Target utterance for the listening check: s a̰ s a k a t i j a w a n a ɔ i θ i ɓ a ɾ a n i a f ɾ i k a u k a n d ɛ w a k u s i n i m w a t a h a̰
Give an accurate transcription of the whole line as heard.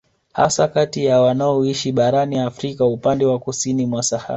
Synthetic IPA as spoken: h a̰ s a k a t i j a w a n a ɔ i ʃ i ɓ a ɾ a n i a f ɾ i k a u p a n d ɛ w a k u s i n i m w a s a h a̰